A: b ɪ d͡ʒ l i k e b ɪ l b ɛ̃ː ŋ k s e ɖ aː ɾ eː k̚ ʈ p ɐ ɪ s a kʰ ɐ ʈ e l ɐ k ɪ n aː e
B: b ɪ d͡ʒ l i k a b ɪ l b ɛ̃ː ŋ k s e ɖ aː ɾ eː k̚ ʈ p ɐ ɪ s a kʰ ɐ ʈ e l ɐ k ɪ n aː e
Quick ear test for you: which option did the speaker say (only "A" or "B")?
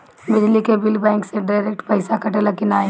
A